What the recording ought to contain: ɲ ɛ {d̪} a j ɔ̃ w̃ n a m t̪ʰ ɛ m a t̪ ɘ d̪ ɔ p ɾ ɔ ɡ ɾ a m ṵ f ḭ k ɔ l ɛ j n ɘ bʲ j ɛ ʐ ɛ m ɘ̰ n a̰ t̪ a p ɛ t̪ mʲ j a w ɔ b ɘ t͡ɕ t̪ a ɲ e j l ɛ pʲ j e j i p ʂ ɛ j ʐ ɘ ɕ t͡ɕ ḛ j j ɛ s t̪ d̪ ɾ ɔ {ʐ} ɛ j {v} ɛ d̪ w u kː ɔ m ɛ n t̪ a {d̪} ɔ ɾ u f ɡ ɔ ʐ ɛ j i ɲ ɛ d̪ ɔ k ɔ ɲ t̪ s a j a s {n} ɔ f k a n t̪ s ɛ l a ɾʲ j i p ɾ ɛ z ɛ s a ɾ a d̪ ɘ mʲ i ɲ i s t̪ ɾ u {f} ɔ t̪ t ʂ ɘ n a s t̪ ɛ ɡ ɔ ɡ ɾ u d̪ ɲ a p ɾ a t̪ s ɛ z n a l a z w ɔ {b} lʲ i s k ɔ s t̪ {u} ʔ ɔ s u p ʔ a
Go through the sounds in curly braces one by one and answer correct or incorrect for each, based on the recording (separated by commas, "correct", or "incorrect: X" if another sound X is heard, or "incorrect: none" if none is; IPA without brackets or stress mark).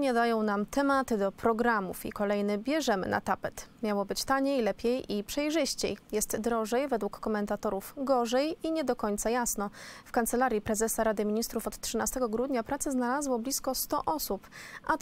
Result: correct, correct, correct, incorrect: t̪, correct, correct, correct, incorrect: ɔ